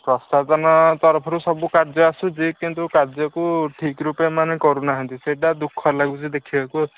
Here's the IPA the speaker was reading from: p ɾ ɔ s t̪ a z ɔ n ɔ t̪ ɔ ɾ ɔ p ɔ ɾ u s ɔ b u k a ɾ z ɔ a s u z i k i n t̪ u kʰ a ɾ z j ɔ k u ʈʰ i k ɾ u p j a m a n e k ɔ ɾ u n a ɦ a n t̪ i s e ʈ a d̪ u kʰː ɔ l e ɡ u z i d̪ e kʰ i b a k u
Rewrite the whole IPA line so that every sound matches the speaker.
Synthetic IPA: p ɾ ɔ s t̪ a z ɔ n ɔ t̪ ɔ ɾ ɔ pʰ ɔ ɾ u s ɔ b u k a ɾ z ɔ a s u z i k i n t̪ u k a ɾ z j ɔ k u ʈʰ i k ɾ u p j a m a n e k ɔ ɾ u n a ɦ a n t̪ i s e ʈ a d̪ u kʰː ɔ l a ɡ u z i d̪ e kʰ i b a k u